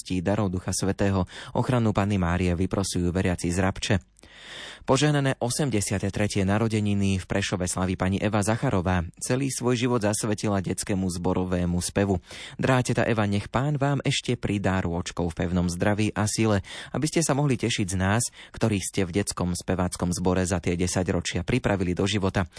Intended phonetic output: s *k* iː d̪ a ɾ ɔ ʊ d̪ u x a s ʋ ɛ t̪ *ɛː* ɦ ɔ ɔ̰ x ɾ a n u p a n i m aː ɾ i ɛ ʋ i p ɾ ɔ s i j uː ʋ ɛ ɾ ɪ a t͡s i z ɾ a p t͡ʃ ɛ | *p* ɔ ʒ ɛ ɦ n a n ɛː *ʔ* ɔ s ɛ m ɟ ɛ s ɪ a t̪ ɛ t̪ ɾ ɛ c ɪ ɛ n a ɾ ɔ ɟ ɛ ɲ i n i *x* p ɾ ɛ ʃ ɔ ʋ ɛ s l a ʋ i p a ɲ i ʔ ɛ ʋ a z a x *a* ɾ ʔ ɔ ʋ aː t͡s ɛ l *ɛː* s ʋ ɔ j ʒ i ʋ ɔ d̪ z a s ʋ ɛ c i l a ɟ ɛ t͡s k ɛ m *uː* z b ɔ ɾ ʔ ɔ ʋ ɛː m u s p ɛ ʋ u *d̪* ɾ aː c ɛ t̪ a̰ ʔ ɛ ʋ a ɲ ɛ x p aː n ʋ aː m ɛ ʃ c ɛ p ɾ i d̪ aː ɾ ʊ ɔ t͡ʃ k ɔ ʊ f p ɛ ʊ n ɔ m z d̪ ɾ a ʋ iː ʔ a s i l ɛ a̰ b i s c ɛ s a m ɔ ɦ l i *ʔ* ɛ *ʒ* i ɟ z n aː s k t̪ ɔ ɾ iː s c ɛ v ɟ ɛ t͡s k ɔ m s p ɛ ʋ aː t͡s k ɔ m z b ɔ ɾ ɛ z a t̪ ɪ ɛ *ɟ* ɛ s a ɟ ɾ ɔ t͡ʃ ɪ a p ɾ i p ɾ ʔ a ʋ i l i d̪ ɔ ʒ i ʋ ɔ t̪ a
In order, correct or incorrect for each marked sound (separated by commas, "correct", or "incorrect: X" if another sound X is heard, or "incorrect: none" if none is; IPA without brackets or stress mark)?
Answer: incorrect: c, correct, correct, correct, incorrect: f, correct, incorrect: iː, incorrect: u, correct, incorrect: c, incorrect: ʃ, correct